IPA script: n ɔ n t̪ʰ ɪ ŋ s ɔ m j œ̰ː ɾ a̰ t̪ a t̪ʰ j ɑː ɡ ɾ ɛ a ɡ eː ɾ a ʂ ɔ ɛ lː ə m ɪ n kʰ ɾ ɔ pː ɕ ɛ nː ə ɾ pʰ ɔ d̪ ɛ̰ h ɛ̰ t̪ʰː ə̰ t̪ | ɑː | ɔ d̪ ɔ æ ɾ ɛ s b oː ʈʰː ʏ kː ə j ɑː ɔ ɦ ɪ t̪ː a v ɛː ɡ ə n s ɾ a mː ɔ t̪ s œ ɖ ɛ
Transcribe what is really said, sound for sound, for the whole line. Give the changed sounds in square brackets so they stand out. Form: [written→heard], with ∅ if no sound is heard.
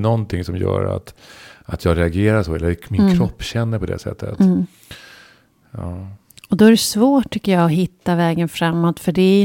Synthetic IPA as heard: n ɔ n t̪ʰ ɪ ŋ s ɔ m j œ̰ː ɾ a̰ t̪ a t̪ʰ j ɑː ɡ ɾ ɛ a ɡ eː ɾ a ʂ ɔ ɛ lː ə m ɪ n kʰ ɾ ɔ pː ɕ ɛ nː ə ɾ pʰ ɔ d̪ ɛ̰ [h→s] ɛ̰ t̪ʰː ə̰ t̪ | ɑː | ɔ d̪ ɔ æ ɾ ɛ s [b→v] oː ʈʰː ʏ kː ə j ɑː ɔ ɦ ɪ t̪ː a v ɛː ɡ ə n [s→f] ɾ a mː ɔ t̪ [s→f] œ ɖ ɛ